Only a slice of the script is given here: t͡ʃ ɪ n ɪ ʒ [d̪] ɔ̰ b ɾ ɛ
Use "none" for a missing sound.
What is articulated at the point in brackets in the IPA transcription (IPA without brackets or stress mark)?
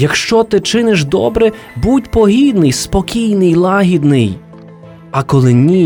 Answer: d̪